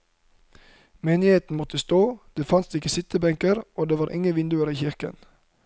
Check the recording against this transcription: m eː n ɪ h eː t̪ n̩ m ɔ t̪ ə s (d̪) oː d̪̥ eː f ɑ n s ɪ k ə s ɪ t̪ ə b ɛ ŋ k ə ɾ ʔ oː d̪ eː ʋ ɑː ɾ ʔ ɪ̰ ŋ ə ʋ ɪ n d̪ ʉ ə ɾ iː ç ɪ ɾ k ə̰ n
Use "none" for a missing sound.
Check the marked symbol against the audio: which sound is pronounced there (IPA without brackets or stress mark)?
t̪